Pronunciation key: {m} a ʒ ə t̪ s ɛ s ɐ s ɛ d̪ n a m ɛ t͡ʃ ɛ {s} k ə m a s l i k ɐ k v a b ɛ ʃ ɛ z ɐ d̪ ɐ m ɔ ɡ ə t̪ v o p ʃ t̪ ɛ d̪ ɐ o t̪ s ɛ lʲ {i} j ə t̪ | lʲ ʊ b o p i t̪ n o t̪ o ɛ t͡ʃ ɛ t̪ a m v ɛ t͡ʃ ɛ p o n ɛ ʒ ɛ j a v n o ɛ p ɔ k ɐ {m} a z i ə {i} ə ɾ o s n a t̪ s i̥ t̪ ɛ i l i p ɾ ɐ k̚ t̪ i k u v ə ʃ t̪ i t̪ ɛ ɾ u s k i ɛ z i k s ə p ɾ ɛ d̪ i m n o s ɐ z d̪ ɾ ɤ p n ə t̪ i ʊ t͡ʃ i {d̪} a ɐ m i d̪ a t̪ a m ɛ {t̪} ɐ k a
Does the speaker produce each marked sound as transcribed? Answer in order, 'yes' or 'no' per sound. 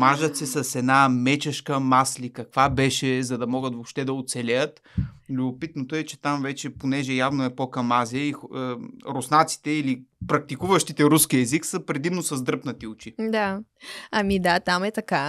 yes, no, no, yes, yes, yes, yes

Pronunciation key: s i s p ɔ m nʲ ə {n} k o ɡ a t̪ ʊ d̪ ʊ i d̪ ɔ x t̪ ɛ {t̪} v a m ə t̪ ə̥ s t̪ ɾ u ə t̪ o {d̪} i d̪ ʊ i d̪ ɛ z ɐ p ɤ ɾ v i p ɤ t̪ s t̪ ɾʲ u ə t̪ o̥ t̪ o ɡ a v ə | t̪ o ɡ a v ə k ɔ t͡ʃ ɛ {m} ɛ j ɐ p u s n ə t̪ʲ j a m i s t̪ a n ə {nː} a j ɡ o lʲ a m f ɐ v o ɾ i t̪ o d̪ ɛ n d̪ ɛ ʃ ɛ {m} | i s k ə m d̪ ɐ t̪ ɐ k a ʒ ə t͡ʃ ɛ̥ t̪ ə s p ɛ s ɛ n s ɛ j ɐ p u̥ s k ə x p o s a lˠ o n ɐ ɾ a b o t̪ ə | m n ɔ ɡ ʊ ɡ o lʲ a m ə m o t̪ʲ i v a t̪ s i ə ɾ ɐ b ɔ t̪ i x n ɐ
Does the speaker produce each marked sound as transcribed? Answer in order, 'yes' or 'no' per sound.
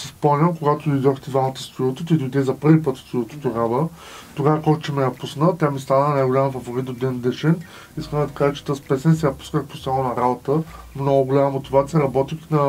no, no, no, yes, no, no

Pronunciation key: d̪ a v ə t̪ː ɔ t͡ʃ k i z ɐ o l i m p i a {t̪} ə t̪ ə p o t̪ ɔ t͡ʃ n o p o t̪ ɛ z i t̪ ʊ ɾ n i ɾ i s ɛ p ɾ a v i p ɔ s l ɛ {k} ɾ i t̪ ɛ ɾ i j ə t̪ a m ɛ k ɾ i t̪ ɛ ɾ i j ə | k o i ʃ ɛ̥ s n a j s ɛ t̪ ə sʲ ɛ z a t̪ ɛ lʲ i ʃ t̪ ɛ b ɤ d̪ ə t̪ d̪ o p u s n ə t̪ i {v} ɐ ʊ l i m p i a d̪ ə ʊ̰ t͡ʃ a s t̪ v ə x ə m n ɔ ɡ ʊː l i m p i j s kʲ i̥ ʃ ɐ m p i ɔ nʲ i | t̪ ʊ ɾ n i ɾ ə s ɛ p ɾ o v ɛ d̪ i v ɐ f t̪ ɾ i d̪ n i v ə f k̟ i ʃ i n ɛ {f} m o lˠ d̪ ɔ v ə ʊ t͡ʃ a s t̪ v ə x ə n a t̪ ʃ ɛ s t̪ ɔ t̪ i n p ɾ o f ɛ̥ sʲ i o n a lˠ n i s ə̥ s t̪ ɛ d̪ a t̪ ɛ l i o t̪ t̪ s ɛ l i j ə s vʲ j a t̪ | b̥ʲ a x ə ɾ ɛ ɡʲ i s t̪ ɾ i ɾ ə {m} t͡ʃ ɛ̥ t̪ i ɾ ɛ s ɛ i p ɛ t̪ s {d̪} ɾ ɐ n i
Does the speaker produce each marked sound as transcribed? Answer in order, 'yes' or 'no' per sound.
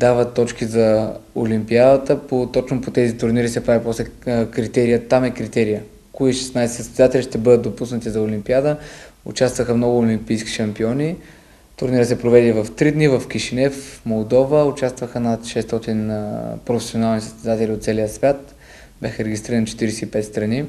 no, yes, no, yes, no, no

